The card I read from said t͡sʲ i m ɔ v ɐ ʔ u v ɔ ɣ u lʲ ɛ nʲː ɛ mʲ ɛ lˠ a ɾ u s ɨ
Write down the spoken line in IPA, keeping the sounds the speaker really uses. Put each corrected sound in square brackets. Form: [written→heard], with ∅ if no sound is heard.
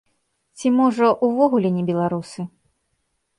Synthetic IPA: t͡sʲ i m ɔ [v→ʐ] ɐ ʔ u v ɔ ɣ u lʲ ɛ [nʲː→nʲ] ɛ [mʲ→bʲ] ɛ lˠ a ɾ u s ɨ